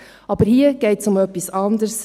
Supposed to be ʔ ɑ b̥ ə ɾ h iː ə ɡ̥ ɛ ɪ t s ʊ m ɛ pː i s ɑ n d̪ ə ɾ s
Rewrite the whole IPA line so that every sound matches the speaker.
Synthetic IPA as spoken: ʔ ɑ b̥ ə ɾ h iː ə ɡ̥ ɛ ɪ t s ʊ m œ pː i s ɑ n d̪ ə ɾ s